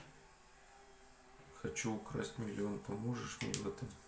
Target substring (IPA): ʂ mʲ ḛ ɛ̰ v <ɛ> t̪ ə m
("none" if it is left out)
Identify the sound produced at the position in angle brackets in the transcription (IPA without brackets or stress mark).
ɛ